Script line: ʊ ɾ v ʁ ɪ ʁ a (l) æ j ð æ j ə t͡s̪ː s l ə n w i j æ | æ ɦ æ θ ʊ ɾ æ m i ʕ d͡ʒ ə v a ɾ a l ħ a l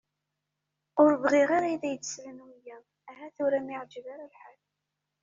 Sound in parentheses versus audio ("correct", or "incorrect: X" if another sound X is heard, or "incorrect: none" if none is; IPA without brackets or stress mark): incorrect: ɾ